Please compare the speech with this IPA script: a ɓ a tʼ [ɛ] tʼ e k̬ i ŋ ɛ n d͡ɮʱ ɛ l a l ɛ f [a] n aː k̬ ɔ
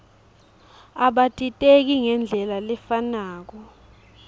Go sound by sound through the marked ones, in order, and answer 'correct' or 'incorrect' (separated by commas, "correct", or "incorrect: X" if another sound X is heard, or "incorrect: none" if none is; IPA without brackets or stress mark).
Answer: incorrect: i, correct